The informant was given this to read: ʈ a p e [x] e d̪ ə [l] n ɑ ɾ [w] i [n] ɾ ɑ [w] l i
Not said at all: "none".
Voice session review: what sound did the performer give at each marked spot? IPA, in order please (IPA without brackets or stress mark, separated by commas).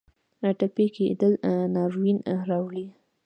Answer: k, l, w, n, w